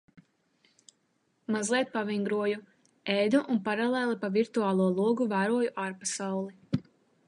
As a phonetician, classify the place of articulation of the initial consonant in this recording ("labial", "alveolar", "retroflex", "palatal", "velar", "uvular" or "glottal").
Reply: labial